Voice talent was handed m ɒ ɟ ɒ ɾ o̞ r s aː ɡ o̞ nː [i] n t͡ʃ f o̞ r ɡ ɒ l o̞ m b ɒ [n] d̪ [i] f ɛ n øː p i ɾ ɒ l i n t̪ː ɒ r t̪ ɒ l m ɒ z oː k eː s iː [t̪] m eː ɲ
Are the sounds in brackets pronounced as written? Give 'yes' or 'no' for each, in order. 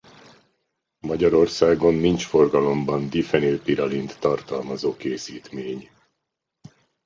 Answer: yes, yes, yes, yes

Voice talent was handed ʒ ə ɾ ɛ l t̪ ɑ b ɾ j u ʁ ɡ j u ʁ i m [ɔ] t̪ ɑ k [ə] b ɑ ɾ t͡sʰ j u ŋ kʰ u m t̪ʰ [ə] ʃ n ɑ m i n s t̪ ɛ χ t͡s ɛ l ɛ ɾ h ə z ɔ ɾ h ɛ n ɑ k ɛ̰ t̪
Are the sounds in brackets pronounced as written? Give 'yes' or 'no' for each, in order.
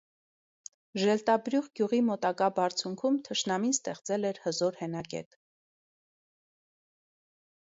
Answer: yes, no, yes

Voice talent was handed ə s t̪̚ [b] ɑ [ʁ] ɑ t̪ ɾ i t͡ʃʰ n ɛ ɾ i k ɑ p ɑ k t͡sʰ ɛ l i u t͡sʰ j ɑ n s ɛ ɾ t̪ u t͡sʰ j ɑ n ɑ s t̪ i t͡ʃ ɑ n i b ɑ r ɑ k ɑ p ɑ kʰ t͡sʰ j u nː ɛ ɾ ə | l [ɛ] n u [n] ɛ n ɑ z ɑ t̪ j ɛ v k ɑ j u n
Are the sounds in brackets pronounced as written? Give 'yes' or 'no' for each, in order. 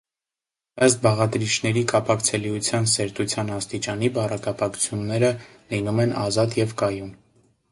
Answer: yes, yes, no, no

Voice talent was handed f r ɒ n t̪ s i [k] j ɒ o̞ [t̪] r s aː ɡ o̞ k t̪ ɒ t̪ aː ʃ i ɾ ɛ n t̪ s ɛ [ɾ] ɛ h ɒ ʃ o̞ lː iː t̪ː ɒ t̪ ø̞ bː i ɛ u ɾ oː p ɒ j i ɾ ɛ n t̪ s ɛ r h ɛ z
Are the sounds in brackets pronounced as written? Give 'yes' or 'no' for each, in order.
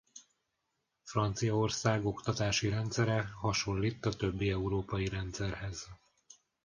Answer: no, no, yes

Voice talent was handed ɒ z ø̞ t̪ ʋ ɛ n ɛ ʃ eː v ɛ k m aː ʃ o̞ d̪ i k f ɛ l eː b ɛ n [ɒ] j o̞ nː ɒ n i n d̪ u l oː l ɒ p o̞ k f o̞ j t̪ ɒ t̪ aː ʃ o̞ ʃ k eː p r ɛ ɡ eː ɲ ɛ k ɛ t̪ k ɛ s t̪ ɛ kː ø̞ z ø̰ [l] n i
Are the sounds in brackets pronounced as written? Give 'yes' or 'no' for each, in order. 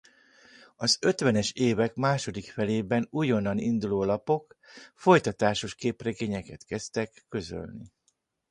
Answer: no, yes

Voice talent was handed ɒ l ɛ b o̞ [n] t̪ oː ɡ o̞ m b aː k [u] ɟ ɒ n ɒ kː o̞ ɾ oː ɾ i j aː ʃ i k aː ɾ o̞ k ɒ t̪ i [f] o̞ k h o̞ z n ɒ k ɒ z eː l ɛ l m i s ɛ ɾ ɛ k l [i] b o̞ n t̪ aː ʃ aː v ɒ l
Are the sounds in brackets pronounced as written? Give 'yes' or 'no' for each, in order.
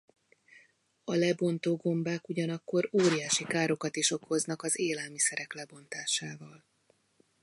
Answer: yes, yes, no, no

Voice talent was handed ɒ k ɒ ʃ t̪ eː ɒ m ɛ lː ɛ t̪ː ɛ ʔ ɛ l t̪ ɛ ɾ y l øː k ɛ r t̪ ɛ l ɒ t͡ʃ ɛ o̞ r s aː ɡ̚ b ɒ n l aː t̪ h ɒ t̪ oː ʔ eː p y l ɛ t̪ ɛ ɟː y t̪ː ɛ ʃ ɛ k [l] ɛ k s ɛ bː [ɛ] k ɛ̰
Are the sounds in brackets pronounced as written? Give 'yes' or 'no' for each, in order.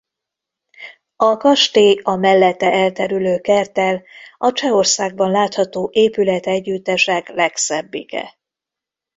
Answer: yes, no

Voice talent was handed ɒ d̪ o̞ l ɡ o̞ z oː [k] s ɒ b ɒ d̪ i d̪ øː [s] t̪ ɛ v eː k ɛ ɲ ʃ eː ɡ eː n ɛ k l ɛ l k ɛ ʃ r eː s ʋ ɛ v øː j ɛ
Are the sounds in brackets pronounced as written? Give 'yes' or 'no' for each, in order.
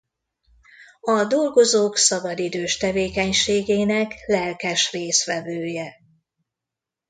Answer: yes, no

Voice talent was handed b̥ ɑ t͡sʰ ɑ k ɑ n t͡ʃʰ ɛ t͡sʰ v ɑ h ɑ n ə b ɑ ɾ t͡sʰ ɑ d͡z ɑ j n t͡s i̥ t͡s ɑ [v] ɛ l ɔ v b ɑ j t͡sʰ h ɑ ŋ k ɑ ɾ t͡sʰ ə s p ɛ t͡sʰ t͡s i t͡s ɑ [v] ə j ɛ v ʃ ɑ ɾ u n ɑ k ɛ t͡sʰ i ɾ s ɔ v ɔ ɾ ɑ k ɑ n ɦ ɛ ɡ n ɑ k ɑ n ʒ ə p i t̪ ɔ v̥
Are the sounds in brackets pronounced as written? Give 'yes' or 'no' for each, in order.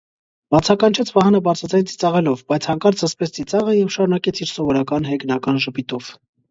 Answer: no, no

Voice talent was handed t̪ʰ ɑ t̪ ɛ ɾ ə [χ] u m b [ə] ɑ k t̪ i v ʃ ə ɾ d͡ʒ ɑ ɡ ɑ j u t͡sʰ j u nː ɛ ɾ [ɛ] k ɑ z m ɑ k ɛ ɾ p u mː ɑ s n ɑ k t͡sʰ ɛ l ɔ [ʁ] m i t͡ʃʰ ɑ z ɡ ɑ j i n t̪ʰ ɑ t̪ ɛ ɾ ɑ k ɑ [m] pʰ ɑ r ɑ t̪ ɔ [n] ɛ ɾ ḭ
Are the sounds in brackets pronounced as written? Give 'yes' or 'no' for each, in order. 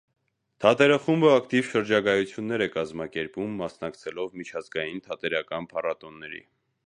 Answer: yes, yes, yes, no, no, no

